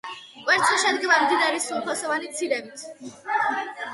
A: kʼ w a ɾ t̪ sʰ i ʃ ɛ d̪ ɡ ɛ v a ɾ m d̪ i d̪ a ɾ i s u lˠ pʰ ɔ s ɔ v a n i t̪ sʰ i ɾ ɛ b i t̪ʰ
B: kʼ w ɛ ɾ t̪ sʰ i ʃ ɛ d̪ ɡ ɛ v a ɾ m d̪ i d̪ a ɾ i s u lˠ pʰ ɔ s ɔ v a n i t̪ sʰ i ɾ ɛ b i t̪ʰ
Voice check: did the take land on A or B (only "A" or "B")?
B